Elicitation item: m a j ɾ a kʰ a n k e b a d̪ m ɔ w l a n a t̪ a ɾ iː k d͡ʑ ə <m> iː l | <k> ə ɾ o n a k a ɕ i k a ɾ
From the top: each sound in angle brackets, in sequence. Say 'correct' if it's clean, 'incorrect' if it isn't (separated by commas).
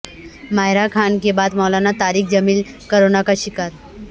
correct, correct